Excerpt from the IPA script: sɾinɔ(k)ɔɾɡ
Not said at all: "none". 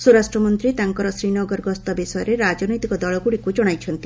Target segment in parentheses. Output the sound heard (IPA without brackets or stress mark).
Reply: ɡ